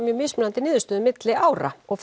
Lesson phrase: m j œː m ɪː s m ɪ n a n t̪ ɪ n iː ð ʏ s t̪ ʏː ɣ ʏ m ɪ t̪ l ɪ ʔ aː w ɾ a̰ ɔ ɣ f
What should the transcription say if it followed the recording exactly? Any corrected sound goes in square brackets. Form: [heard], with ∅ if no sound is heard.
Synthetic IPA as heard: m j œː m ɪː s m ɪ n a n t̪ ɪ n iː ð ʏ s t̪ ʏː [ð] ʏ m ɪ t̪ l ɪ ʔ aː w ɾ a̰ ɔ ɣ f